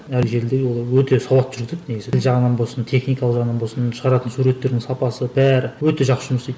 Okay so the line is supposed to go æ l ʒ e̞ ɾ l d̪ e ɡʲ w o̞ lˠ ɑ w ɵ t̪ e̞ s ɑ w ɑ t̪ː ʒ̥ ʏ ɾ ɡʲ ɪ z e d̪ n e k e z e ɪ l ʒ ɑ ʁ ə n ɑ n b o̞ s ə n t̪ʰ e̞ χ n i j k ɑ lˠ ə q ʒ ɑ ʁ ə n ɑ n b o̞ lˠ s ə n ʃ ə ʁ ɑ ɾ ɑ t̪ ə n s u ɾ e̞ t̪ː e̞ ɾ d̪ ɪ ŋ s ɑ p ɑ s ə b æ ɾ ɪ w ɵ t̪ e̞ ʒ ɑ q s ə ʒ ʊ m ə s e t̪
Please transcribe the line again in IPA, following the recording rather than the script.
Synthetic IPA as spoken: æ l ʒ e̞ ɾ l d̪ e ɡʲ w o̞ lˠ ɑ w ɵ t̪ e̞ s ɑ w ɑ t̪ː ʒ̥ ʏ ɾ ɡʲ ɪ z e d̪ n e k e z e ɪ l ʒ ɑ ʁ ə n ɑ n b o̞ s ə n t̪ʰ e̞ χ n i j k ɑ lˠ ə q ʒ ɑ ʁ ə n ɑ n b o̞ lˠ s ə n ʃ ə ʁ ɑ ɾ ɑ t̪ ə n s u ɾ e̞ t̪ː e̞ ɾ d̪ ɪ ŋ s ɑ p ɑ s ə b æ ɾ ɪ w ɵ t̪ e̞ ʒ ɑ q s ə ʒ ʊ m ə s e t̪